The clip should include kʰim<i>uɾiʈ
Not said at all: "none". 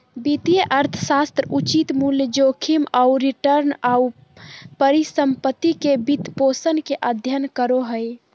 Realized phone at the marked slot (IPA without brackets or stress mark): a